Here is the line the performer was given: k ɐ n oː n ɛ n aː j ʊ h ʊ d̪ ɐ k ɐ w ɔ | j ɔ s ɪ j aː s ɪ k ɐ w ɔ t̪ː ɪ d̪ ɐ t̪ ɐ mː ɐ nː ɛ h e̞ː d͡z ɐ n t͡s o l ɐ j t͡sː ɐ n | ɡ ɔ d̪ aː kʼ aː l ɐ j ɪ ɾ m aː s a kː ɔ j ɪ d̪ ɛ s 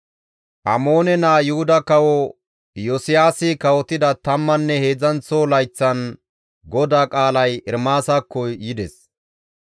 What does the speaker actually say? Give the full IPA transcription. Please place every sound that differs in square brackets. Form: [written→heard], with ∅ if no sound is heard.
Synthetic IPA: [k→ʔ] ɐ [n→m] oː n ɛ n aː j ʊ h ʊ d̪ ɐ k ɐ w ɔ | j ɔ s ɪ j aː s ɪ k ɐ w ɔ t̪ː ɪ d̪ ɐ t̪ ɐ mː ɐ nː ɛ h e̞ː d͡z ɐ n t͡s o l ɐ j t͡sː ɐ n | ɡ ɔ d̪ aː kʼ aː l ɐ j ɪ ɾ m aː s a kː ɔ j ɪ d̪ ɛ s